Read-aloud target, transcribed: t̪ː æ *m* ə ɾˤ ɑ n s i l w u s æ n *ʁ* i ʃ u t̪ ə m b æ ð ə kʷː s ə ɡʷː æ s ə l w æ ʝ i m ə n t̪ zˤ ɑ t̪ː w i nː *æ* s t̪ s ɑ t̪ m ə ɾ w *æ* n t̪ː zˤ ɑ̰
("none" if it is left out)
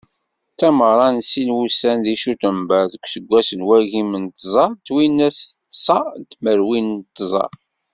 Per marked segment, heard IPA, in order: m, ð, æ, i

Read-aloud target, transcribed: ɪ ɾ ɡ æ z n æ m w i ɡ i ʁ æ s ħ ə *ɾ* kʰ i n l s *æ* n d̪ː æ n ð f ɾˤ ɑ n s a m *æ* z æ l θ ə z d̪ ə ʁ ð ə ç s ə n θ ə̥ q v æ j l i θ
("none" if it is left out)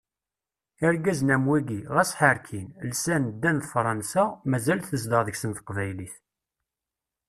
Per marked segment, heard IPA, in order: ɾ, æ, æ

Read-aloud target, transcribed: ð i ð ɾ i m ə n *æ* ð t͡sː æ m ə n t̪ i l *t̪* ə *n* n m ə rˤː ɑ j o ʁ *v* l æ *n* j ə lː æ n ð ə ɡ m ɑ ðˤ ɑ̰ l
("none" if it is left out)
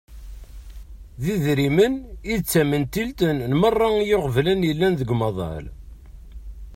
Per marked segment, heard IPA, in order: i, t̪, n, v, n

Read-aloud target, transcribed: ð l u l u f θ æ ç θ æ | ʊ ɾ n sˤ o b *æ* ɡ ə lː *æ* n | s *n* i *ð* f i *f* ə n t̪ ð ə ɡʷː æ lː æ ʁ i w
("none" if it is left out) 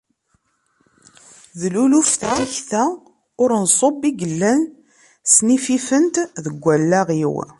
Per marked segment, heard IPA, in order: i, æ, n, none, f

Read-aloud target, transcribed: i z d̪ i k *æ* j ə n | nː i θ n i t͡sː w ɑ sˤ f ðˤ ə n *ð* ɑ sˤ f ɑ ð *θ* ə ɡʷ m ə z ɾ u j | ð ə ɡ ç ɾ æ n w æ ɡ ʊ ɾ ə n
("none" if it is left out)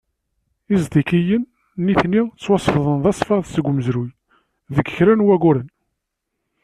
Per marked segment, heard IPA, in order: i, ð, s

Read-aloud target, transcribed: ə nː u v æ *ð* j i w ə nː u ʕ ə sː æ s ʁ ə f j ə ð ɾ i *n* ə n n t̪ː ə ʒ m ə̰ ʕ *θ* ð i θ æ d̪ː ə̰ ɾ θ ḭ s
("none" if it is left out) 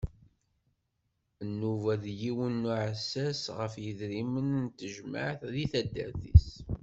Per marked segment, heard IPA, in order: ð, m, θ

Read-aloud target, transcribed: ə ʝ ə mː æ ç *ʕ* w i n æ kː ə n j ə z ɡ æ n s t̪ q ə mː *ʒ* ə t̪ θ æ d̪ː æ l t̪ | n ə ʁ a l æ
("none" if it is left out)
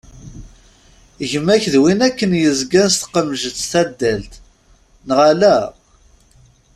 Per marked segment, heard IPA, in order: ð, ʒ

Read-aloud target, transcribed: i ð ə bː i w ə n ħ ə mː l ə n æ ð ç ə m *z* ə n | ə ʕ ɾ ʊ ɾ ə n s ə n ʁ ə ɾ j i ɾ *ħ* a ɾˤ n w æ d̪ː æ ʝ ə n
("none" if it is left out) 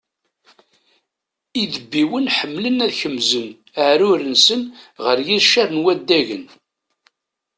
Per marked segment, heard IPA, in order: z, ʃ

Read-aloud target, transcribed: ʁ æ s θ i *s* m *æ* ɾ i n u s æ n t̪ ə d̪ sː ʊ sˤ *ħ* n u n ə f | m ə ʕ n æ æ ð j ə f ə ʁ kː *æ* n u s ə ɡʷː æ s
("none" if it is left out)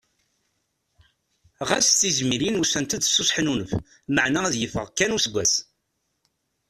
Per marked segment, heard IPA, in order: z, i, ħ, æ

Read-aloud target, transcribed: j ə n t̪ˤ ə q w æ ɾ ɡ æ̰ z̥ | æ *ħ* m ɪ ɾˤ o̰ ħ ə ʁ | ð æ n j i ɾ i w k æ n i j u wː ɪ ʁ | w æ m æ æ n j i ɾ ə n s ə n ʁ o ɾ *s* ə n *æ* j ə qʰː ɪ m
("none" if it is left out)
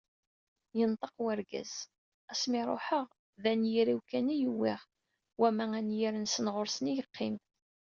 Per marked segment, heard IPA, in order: s, s, i

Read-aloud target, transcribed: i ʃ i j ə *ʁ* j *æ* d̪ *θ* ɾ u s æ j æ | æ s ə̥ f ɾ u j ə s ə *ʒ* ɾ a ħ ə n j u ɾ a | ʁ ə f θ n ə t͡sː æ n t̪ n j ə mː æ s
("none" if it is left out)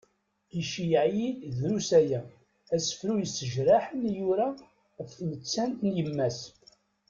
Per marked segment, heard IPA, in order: ʕ, i, ð, ʒ

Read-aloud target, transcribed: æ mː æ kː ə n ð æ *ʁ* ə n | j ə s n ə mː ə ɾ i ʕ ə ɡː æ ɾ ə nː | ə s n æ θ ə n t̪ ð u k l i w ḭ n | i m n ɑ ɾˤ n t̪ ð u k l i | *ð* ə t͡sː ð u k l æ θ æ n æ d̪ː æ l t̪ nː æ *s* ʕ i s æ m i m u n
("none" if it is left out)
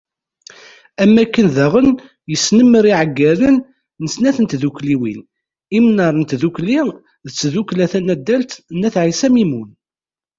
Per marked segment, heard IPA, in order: ʁ, ð, θ

